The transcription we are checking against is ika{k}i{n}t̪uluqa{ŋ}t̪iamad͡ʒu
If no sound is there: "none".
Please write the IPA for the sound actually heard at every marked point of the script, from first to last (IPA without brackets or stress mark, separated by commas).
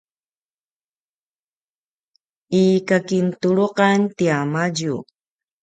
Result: k, n, n